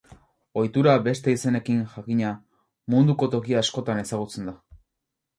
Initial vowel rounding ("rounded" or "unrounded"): rounded